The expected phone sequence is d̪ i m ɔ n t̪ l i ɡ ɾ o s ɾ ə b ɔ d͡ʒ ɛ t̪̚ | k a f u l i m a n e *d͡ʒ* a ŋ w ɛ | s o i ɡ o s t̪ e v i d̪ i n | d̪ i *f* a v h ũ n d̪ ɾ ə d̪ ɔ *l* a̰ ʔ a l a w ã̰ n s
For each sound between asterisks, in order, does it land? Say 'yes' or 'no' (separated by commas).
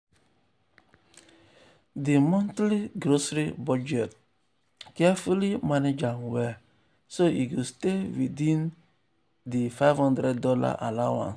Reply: yes, yes, yes